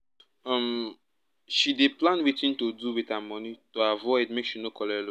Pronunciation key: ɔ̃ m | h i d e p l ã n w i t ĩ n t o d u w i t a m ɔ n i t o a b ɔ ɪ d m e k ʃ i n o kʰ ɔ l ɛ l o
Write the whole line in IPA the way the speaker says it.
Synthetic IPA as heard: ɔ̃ m | ʃ i d e p l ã n w i t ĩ n t o d u w i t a m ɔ n i t o a v ɔ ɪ d m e k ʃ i n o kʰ ɔ l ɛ l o